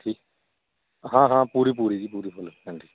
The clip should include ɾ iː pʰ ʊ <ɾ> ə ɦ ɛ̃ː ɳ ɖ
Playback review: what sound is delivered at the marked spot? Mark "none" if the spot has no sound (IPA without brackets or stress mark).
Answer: l